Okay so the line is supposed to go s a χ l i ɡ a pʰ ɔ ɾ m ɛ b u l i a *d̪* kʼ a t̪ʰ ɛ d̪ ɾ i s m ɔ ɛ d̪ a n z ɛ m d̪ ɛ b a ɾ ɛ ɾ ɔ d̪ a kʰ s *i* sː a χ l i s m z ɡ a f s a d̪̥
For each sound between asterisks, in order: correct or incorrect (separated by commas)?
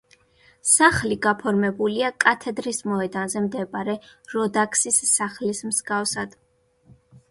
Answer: incorrect, correct